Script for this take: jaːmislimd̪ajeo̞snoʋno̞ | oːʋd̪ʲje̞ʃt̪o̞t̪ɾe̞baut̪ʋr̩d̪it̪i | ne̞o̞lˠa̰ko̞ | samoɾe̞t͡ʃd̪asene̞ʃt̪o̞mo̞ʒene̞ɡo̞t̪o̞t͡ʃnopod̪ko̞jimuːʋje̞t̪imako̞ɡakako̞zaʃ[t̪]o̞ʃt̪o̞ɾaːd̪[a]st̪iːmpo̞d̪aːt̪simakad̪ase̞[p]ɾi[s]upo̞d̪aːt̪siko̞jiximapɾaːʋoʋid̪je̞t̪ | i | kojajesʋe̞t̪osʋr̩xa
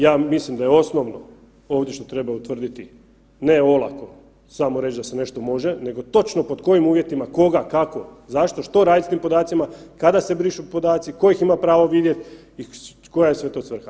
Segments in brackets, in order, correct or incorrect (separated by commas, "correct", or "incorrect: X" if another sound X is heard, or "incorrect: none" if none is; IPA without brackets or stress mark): correct, incorrect: i, incorrect: b, incorrect: ʃ